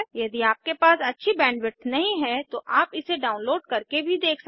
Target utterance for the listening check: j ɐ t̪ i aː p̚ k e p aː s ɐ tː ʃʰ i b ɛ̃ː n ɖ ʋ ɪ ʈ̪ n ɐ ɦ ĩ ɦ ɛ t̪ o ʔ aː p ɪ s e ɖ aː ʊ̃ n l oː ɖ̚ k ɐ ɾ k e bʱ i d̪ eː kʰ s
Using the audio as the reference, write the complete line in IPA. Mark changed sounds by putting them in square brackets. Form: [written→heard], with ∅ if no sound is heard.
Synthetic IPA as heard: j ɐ [t̪→d̪] i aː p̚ k e p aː s ɐ tː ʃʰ i b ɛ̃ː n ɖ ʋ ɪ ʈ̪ n ɐ ɦ ĩ ɦ ɛ t̪ o ʔ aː p ɪ s e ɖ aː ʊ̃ n l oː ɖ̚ k ɐ ɾ k e bʱ i d̪ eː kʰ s